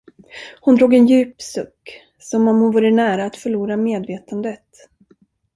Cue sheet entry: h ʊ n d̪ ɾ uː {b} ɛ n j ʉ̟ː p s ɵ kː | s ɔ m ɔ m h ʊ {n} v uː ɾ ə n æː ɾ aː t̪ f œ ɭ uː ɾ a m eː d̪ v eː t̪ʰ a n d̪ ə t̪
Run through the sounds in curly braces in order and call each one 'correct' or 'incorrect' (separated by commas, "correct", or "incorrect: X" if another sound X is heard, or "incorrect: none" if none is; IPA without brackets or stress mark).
incorrect: ɡ, correct